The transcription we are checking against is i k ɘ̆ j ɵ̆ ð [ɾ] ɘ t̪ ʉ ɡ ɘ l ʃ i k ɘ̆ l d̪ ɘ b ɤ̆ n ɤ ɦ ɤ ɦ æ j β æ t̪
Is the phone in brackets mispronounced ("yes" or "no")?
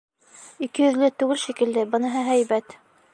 yes